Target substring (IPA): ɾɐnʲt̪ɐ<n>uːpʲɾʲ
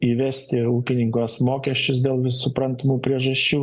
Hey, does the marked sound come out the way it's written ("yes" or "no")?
no